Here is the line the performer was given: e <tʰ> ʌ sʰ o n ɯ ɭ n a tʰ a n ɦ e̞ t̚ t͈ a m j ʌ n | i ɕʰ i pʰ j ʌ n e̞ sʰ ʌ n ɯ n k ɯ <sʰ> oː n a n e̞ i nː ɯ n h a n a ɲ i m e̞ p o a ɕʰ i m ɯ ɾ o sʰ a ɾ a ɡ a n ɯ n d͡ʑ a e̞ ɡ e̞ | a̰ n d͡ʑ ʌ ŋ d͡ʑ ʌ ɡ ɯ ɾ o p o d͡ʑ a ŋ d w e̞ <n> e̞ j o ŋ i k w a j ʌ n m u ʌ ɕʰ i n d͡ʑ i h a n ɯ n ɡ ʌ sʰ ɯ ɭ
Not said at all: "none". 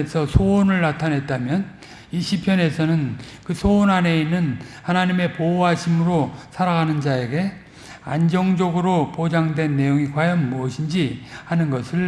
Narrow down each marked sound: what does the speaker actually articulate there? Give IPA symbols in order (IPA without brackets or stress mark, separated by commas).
sʰ, sʰ, nː